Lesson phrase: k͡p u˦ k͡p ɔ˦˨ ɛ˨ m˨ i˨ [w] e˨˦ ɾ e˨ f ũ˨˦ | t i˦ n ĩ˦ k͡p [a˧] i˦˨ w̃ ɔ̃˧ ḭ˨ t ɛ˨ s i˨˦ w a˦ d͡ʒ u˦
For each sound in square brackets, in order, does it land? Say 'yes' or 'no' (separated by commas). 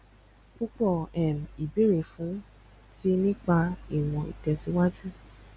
no, yes